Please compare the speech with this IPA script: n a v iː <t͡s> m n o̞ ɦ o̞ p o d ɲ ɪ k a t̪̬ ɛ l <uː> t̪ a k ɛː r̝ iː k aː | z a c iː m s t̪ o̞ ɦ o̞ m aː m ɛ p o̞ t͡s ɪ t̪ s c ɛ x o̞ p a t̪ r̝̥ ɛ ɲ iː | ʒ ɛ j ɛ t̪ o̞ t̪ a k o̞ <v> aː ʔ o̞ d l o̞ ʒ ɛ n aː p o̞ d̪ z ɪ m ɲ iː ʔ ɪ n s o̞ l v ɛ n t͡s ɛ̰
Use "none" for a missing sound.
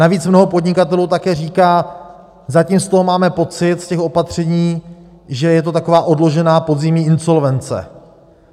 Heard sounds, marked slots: t͡s, uː, v

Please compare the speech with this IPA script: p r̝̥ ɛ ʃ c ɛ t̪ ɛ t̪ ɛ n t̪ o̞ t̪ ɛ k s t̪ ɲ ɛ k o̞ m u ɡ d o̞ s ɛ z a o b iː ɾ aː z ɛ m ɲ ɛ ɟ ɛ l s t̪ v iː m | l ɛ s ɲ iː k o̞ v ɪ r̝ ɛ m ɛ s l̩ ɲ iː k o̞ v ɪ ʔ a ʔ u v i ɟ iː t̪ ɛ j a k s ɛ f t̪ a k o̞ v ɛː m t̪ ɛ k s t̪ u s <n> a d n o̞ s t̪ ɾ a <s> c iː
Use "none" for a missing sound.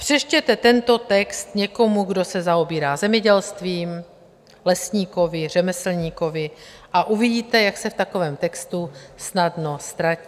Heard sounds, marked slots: n, none

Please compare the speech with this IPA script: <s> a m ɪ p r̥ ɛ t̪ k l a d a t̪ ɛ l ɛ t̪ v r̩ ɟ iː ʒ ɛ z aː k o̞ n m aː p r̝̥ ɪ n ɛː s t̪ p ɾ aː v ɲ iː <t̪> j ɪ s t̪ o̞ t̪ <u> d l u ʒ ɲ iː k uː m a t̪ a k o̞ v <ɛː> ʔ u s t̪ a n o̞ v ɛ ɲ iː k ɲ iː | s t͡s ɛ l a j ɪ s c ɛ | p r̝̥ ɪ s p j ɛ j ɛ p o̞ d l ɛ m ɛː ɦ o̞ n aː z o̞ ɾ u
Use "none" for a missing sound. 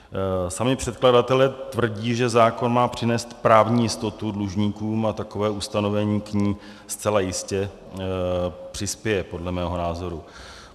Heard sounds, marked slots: s, none, u, ɛː

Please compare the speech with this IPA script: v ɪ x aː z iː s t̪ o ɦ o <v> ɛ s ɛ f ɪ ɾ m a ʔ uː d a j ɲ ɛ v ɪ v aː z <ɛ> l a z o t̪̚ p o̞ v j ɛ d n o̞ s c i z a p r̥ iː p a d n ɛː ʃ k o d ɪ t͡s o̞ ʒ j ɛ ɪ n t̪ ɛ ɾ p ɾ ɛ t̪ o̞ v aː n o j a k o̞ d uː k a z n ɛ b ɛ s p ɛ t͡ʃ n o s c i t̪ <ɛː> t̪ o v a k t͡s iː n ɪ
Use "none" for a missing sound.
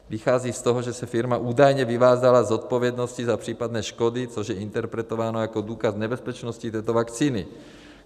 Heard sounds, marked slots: ʒ, a, ɛː

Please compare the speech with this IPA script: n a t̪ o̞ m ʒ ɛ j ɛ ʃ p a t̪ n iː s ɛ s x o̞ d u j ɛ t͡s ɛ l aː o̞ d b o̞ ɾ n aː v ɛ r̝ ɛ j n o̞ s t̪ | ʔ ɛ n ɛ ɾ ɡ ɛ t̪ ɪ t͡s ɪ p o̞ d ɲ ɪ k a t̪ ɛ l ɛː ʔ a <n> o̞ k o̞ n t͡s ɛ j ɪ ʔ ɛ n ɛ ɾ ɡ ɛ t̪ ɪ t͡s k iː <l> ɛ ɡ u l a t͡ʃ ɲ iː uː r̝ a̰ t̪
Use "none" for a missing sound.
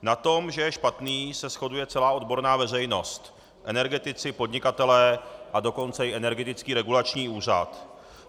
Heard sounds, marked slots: d, ɾ

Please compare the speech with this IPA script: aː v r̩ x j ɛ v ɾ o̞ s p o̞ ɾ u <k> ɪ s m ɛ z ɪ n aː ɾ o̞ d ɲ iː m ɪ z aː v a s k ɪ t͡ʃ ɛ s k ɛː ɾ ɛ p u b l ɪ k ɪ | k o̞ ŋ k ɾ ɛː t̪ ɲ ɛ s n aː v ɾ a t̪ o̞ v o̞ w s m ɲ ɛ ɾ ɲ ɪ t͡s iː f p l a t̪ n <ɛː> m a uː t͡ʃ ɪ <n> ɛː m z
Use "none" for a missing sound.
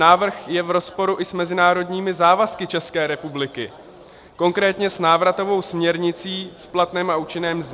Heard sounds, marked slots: ʔ, ɛː, n

